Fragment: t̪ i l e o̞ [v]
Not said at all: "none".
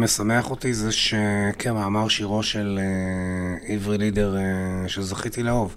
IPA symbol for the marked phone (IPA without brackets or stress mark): v